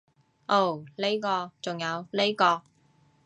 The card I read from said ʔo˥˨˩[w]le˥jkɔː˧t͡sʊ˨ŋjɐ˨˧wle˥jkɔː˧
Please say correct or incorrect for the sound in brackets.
correct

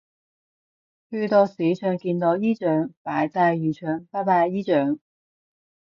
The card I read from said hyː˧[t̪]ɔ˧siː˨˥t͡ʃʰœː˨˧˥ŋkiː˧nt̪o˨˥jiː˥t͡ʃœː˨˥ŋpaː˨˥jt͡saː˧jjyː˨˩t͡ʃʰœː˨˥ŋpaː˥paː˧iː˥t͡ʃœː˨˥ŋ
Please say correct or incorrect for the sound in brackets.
correct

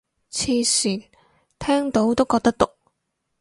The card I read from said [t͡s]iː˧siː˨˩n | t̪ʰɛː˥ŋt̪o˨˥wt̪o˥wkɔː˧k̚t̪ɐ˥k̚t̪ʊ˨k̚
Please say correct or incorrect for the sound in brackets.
incorrect: t͡sʰ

